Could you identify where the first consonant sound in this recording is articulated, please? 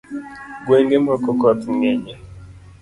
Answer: velar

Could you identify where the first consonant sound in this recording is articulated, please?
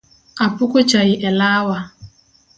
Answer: labial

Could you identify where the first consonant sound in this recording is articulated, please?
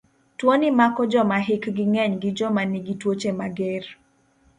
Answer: alveolar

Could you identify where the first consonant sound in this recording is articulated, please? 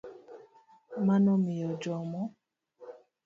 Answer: labial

